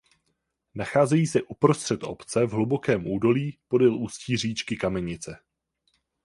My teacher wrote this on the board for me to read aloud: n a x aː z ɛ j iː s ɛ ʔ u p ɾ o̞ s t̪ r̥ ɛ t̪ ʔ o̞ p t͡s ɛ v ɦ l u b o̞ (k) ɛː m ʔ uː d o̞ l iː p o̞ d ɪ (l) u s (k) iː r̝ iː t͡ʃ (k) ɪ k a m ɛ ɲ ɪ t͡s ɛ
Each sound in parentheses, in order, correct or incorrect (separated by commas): correct, correct, incorrect, correct